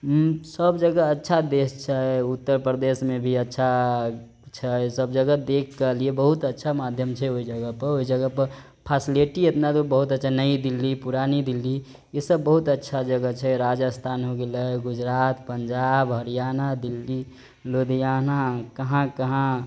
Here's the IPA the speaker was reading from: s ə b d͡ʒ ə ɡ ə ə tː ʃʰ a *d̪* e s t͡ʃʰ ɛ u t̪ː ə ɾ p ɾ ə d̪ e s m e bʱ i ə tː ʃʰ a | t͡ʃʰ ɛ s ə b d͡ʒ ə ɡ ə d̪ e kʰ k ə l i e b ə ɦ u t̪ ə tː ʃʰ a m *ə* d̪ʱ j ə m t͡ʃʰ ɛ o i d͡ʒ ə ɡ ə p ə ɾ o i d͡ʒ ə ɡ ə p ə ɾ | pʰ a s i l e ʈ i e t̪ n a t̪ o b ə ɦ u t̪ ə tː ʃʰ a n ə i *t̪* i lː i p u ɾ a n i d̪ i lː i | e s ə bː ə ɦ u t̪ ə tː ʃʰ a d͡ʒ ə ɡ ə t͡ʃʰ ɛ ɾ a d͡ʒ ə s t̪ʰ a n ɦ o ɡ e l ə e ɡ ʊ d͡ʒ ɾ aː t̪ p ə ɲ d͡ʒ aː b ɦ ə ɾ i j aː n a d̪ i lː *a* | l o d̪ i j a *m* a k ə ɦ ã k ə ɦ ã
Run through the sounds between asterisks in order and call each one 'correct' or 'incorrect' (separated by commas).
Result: correct, incorrect, incorrect, incorrect, incorrect